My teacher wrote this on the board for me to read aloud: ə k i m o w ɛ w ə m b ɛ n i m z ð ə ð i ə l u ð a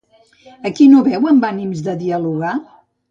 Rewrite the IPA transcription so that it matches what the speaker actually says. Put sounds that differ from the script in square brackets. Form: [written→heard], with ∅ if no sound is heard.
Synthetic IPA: ə k i [m→n] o [w→β] ɛ w ə m b [ɛ→a] n i m z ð ə ð i ə l u [ð→ɣ] a